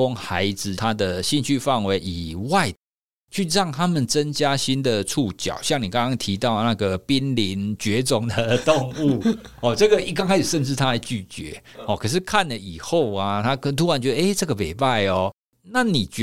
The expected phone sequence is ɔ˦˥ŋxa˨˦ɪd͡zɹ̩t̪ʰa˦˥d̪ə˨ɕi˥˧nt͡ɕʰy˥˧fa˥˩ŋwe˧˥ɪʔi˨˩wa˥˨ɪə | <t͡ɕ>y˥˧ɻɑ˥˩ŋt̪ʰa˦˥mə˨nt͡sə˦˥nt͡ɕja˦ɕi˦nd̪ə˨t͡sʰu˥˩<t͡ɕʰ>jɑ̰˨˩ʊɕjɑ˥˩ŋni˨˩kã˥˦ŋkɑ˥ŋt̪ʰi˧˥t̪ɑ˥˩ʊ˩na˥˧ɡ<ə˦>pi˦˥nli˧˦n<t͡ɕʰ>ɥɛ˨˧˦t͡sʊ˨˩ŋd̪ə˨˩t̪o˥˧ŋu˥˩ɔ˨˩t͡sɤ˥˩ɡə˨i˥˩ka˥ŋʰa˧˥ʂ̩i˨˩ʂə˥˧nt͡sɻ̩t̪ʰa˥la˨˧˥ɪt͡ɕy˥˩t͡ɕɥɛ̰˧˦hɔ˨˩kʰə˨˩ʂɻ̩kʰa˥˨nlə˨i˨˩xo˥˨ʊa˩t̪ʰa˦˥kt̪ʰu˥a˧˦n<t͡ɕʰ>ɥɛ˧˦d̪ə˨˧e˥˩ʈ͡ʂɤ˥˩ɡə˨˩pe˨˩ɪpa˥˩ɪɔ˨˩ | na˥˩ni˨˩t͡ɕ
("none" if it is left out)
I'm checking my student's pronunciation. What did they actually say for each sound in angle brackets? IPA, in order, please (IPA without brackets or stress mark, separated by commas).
t͡ɕʰ, t͡ɕ, ə˩, t͡ɕ, t͡ɕ